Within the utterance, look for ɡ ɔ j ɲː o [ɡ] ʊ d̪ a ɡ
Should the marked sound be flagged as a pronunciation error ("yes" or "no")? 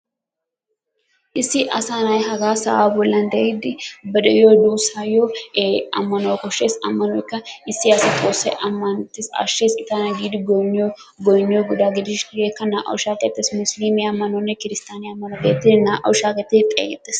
no